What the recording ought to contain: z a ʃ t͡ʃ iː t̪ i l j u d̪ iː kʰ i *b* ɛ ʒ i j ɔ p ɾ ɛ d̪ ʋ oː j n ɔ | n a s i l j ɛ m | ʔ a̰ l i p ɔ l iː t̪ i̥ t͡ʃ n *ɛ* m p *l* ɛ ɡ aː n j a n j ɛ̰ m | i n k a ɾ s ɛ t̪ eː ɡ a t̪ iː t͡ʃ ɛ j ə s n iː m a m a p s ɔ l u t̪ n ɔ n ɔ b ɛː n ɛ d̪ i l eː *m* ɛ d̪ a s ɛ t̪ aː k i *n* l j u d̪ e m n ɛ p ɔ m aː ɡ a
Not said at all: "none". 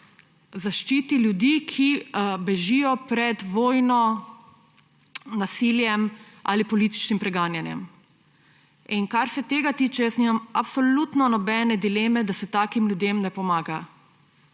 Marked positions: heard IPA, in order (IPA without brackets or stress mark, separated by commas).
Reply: b, i, ɾ, m, m